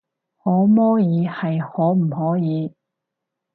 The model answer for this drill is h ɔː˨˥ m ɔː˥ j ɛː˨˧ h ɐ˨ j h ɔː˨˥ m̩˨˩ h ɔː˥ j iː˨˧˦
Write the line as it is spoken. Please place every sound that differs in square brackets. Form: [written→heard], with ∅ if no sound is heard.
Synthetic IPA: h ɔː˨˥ m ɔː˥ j [ɛː˨˧→iː˨˧] h ɐ˨ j h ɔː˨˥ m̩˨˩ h [ɔː˥→ɔː˨˥] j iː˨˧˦

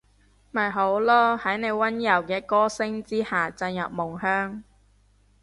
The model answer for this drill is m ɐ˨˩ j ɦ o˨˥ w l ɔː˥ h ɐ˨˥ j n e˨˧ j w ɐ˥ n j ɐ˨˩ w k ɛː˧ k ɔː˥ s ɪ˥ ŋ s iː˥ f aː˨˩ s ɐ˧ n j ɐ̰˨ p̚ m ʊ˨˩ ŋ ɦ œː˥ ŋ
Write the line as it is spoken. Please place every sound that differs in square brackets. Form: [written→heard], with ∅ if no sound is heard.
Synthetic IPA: m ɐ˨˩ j ɦ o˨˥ w l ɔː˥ h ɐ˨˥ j n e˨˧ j w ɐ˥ n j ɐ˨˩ w k ɛː˧ k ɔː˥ s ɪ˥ ŋ [s→t͡s] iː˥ [f→h] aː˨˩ [s→t͡s] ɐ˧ n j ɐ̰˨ p̚ m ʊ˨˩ ŋ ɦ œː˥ ŋ

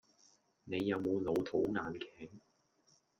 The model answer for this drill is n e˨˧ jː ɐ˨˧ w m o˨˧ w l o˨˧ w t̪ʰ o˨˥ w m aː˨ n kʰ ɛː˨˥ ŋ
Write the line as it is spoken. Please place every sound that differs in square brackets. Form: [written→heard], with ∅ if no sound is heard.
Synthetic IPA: n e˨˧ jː ɐ˨˧ w m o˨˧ w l o˨˧ w t̪ʰ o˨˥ w [m→ŋ] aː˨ n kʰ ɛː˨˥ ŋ

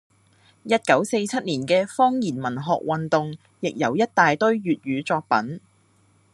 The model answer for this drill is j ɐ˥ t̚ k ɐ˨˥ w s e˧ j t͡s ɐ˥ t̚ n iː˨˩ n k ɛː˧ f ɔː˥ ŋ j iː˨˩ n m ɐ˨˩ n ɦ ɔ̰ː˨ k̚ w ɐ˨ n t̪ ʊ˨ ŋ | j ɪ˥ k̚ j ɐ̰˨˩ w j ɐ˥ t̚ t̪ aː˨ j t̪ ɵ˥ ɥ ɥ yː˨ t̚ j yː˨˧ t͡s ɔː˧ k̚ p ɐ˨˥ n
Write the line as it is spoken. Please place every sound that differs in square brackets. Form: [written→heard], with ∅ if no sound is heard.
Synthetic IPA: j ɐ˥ t̚ k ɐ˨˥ w s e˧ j [t͡s→t͡sʰ] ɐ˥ t̚ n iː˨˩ n k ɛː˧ f ɔː˥ ŋ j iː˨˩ n m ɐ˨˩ n ɦ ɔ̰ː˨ k̚ w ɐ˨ n t̪ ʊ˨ ŋ | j [ɪ˥→ɪ˨] k̚ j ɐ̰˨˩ w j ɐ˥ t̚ t̪ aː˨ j t̪ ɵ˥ ɥ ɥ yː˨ t̚ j yː˨˧ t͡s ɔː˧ k̚ p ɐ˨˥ n

